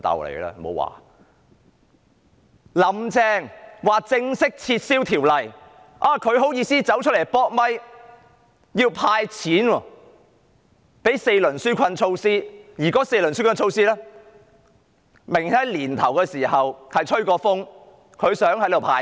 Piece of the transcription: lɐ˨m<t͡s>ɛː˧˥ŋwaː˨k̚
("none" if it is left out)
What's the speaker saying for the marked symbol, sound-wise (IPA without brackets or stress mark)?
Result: t͡s